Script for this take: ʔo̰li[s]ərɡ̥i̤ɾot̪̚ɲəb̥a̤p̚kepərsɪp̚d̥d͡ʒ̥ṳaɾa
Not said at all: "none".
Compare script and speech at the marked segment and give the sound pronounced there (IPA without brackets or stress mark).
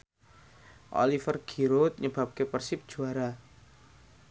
f